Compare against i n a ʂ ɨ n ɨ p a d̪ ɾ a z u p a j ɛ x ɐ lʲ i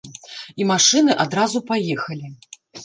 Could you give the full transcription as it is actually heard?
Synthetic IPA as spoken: i m a ʂ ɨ n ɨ ʔ a d̪ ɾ a z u p a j ɛ x ɐ lʲ i